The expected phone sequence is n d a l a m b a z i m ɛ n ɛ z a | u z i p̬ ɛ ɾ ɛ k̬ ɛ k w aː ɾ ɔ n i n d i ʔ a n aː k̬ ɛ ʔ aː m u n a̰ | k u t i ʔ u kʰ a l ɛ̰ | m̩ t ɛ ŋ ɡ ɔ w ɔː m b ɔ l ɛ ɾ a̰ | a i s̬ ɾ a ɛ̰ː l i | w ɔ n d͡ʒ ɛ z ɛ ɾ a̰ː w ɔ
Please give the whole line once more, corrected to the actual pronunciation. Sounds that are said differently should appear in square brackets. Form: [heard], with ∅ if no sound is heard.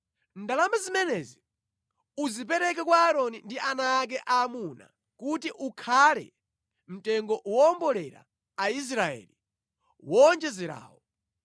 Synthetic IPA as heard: n d a l a m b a z i m ɛ n ɛ z [i] | u z i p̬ ɛ ɾ ɛ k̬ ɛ k w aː ɾ ɔ n i n d i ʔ a n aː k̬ ɛ ʔ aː m u n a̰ | k u t i ʔ u kʰ a l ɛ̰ | m̩ t ɛ ŋ ɡ ɔ w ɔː m b ɔ l ɛ ɾ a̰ | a i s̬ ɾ a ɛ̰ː l i | w ɔ n d͡ʒ ɛ z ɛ ɾ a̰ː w ɔ